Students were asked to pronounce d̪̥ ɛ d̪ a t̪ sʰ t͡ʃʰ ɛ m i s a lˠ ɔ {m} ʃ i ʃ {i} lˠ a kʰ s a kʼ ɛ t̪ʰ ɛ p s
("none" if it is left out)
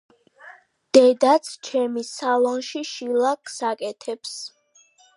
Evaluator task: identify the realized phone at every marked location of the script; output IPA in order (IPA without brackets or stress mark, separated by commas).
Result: n, i